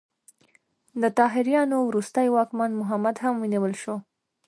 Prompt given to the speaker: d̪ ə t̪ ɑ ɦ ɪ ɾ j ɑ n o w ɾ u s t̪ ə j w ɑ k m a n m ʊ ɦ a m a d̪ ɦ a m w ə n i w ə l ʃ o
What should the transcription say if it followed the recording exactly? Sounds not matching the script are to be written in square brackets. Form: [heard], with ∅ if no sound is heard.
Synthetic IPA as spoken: d̪ ə t̪ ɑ ɦ ɪ ɾ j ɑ n o w ɾ u s t̪ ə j w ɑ k m a n m ʊ ɦ a m a d̪ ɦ a m w ə n i w ə l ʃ o